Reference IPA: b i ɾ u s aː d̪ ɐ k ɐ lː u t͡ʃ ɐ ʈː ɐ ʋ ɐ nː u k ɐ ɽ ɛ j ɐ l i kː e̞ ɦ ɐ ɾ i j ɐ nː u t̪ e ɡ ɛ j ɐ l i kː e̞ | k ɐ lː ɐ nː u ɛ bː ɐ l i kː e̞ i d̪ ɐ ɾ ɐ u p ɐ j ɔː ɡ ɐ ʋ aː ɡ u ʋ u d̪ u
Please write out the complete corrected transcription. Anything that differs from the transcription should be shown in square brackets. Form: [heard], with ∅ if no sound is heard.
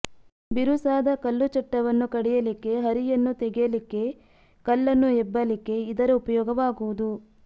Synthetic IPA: b i ɾ u s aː d̪ ɐ k ɐ lː u t͡ʃ ɐ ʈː ɐ ʋ ɐ nː u k ɐ ɽ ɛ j ɐ l i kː e̞ ɦ ɐ ɾ i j ɐ nː u t̪ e ɡ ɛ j ɐ l i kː e̞ | k ɐ lː ɐ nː u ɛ bː ɐ l i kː e̞ i d̪ ɐ ɾ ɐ u p ɐ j ɔː ɡ ɐ ʋ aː ɡ u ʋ u d̪ u

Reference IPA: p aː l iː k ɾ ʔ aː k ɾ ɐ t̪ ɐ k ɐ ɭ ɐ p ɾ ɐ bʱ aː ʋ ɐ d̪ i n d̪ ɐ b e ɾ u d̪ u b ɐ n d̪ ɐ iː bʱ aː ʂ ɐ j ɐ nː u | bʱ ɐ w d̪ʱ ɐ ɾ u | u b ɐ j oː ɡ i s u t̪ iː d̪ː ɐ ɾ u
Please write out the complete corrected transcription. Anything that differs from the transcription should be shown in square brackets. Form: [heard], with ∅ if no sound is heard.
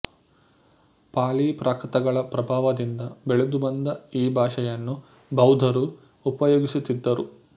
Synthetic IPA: p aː l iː [p] ɾ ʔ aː k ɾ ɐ t̪ ɐ [ɡ] ɐ ɭ ɐ p ɾ ɐ bʱ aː ʋ ɐ d̪ i n d̪ ɐ b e [ɭ] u d̪ u b ɐ n d̪ ɐ iː bʱ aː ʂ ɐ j ɐ nː u | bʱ ɐ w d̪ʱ ɐ ɾ u | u [p] ɐ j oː ɡ i s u t̪ [i] d̪ː ɐ ɾ u

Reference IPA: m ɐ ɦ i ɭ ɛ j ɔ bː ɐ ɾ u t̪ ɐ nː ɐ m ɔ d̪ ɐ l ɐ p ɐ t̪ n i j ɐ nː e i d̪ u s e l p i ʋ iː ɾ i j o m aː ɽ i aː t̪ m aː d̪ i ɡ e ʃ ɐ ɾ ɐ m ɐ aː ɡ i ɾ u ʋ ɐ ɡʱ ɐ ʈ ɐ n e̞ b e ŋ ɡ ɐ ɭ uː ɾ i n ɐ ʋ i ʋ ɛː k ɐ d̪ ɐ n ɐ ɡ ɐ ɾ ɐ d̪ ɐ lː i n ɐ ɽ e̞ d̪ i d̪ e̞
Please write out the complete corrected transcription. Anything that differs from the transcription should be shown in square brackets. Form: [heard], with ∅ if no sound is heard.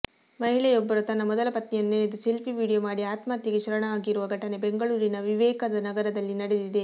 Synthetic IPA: m ɐ ɦ i ɭ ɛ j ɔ bː ɐ ɾ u t̪ ɐ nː ɐ m ɔ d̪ ɐ l ɐ p ɐ t̪ n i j ɐ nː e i d̪ u s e l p i ʋ iː [ɽ] i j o m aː ɽ i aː t̪ m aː [t̪] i ɡ e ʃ ɐ ɾ ɐ [ɳ] ɐ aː ɡ i ɾ u ʋ ɐ ɡʱ ɐ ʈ ɐ n e̞ b e ŋ ɡ ɐ ɭ uː ɾ i n ɐ ʋ i ʋ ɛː k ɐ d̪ ɐ n ɐ ɡ ɐ ɾ ɐ d̪ ɐ lː i n ɐ ɽ e̞ d̪ i d̪ e̞

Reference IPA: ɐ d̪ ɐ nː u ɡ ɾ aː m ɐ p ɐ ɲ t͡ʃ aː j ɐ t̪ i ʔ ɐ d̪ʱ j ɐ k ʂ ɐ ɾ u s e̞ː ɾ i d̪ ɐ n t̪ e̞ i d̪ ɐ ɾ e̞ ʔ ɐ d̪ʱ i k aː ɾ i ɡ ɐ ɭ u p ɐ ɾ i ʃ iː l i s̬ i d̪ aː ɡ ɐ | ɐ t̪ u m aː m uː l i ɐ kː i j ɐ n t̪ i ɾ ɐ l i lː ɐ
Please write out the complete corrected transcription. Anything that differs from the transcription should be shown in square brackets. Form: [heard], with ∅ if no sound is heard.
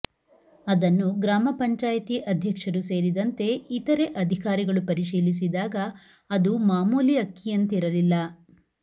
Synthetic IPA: ɐ d̪ ɐ nː u ɡ ɾ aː m ɐ p ɐ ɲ t͡ʃ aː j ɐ t̪ i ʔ ɐ d̪ʱ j ɐ k ʂ ɐ ɾ u s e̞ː ɾ i d̪ ɐ n t̪ e̞ i [t̪] ɐ ɾ e̞ ʔ ɐ d̪ʱ i k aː ɾ i ɡ ɐ ɭ u p ɐ ɾ i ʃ iː l i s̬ i d̪ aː ɡ ɐ | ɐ [d̪] u m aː m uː l i ɐ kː i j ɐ n t̪ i ɾ ɐ l i lː ɐ

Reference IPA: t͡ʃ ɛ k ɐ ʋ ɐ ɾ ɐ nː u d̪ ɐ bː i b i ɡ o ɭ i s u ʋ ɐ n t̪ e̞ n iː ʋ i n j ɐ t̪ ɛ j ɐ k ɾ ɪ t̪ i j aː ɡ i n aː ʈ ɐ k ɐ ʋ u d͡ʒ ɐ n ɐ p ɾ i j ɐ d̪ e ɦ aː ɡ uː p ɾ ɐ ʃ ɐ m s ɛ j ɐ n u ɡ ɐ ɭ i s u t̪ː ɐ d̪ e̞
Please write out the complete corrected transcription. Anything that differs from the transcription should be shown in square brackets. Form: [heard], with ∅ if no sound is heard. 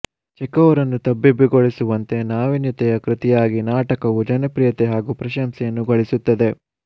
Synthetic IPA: t͡ʃ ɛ k ɐ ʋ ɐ ɾ ɐ nː u [t̪] ɐ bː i b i ɡ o ɭ i s u ʋ ɐ n t̪ e̞ n [aː] ʋ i n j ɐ t̪ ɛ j ɐ k ɾ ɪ t̪ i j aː ɡ i n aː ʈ ɐ k ɐ ʋ u d͡ʒ ɐ n ɐ p ɾ i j ɐ [t̪] e ɦ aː ɡ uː p ɾ ɐ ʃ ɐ m s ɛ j ɐ [nː] u ɡ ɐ ɭ i s u t̪ː ɐ d̪ e̞

